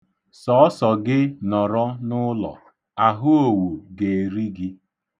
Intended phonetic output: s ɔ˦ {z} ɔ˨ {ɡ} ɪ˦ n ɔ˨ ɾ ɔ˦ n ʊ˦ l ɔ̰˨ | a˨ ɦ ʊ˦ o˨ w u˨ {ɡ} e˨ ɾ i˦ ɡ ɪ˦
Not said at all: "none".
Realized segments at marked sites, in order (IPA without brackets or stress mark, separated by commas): s, ɡ, ɡ